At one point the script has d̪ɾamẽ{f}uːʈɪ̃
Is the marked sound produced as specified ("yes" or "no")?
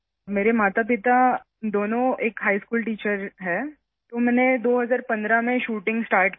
no